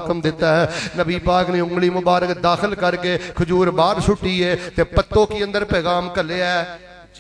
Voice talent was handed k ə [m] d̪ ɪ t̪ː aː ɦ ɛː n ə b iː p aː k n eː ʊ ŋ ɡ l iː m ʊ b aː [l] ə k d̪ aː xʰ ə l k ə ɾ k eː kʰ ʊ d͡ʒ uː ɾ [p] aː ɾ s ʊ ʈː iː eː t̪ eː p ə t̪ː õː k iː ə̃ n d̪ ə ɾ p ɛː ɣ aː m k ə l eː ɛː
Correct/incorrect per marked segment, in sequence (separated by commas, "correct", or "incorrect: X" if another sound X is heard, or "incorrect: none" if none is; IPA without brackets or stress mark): correct, incorrect: ɾ, incorrect: b